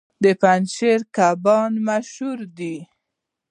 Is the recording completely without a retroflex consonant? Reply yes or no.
yes